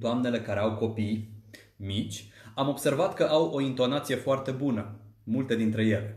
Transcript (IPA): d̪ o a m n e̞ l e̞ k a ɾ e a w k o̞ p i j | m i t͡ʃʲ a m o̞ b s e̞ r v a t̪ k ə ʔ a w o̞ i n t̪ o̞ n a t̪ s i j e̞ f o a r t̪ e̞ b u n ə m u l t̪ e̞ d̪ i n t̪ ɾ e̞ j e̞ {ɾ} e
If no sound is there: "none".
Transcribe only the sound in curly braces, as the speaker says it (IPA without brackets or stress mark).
l